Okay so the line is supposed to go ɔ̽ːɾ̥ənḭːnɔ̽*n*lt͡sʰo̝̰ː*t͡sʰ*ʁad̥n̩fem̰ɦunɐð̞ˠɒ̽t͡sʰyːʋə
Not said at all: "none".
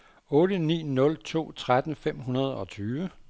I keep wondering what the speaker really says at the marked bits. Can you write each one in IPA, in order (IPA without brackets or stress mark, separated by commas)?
none, t͡sʰ